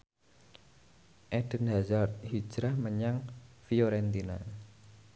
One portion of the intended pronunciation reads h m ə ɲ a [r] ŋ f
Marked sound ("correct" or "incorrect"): incorrect